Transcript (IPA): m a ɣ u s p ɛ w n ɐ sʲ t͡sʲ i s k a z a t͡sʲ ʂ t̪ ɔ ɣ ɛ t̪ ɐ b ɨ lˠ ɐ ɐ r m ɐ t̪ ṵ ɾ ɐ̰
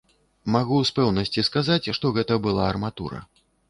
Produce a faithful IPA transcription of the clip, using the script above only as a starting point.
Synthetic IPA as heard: m a ɣ u s p ɛ w n ɐ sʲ t͡sʲ i s k a z a t͡sʲ ʂ t̪ ɔ ɣ ɛ t̪ ɐ b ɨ lˠ a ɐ r m a t̪ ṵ ɾ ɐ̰